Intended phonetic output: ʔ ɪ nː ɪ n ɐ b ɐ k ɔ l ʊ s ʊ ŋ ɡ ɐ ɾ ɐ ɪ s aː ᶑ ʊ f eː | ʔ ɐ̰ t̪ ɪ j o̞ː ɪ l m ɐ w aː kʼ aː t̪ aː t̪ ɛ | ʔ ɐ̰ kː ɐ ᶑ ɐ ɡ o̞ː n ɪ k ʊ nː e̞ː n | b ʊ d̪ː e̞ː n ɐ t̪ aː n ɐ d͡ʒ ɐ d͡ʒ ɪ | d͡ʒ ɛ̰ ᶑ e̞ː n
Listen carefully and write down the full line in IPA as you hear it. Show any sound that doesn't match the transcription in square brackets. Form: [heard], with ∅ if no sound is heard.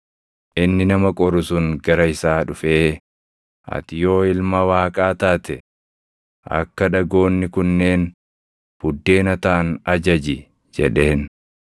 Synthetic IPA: ʔ ɪ nː ɪ n ɐ [m] ɐ [kʼ] ɔ [ɾ] ʊ s ʊ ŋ ɡ ɐ ɾ ɐ ɪ s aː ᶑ ʊ f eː | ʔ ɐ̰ t̪ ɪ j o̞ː ɪ l m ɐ w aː kʼ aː t̪ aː t̪ ɛ | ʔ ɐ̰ kː ɐ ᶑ ɐ ɡ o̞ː [nː] ɪ k ʊ nː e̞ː n | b ʊ d̪ː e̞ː n ɐ t̪ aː n ɐ d͡ʒ ɐ d͡ʒ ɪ | d͡ʒ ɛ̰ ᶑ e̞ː n